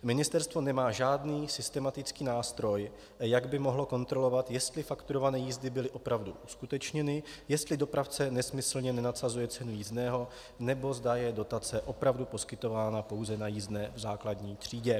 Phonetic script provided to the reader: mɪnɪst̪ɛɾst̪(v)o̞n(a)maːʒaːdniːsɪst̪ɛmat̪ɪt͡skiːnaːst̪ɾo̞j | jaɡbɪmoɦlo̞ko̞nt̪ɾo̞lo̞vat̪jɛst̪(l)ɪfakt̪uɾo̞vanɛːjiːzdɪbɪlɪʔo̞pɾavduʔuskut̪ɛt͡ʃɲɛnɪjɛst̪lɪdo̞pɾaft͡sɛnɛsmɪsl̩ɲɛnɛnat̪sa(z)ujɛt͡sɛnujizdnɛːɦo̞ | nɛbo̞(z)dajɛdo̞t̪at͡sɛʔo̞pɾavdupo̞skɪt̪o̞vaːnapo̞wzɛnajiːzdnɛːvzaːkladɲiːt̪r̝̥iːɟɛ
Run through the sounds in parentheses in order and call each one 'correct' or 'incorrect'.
correct, incorrect, correct, correct, correct

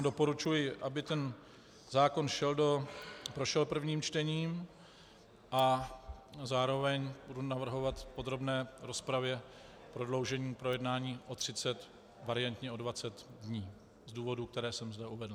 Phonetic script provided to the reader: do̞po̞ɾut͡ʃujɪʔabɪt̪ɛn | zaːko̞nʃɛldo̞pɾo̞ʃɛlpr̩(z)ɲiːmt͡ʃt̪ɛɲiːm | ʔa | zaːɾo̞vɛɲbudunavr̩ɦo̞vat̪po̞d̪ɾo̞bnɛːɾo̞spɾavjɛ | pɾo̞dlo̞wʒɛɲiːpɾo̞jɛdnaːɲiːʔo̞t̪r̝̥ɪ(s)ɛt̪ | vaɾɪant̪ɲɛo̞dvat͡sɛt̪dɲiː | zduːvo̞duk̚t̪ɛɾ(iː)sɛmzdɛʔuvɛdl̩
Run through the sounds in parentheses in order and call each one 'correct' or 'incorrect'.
incorrect, incorrect, incorrect

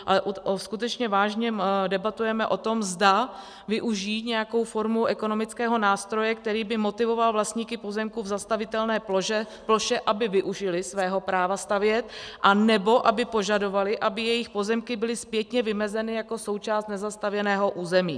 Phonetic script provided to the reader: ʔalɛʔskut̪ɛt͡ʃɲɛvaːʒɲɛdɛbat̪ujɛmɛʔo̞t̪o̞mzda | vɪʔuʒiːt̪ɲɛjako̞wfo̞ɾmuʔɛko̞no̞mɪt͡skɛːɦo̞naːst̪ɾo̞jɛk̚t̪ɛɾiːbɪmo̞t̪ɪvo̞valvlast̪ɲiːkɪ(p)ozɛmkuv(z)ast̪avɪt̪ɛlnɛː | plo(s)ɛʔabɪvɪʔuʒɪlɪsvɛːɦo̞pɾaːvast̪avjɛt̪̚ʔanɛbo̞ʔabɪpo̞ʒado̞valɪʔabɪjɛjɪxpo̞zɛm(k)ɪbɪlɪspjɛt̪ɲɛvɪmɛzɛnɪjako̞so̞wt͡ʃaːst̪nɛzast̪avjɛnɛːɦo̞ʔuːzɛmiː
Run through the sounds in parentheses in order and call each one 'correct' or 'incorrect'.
correct, correct, incorrect, correct

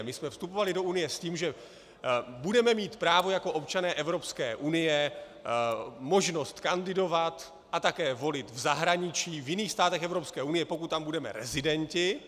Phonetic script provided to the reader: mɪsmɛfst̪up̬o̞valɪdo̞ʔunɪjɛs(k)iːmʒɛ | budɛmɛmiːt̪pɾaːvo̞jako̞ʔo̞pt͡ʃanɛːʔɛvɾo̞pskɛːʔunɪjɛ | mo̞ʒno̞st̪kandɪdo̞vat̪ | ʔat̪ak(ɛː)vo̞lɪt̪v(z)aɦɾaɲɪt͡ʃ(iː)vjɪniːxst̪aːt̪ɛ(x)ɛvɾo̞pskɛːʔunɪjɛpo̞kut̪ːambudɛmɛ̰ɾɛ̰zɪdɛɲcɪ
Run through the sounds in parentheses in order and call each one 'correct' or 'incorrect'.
incorrect, correct, correct, correct, correct

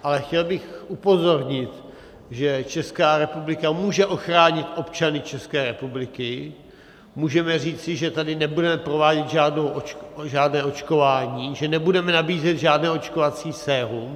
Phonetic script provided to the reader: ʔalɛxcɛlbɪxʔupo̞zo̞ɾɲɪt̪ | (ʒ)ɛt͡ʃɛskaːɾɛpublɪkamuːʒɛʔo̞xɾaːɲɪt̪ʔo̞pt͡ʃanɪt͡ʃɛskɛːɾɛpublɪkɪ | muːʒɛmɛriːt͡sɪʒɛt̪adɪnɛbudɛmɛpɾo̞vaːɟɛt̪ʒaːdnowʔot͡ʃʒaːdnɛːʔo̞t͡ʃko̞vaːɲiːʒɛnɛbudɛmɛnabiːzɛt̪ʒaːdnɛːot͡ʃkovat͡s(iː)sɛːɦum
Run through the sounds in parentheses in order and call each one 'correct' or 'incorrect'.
correct, correct

